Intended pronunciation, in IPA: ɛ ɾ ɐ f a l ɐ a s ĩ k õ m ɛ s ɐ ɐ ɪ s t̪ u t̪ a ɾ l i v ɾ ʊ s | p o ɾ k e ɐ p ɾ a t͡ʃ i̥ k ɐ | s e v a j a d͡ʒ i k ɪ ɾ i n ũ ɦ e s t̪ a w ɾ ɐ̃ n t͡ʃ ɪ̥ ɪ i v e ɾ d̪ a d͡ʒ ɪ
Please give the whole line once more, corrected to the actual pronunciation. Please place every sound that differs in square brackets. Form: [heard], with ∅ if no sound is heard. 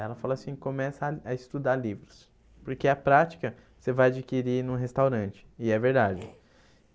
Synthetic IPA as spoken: ɛ [l] ɐ f a l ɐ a s ĩ k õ m ɛ s ɐ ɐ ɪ s t̪ u [d̪] a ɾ l i v ɾ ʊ s | p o ɾ k e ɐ p ɾ a t͡ʃ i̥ k ɐ | s e v a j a d͡ʒ i k [i] ɾ i n ũ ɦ e s t̪ a w ɾ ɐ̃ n t͡ʃ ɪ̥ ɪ [ɛ] v e ɾ d̪ a d͡ʒ ɪ